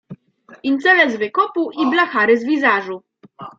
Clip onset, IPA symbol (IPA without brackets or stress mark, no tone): i